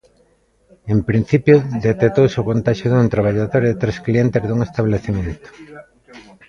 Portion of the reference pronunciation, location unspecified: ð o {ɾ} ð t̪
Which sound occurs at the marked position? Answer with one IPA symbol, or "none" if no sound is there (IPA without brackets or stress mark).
ɾ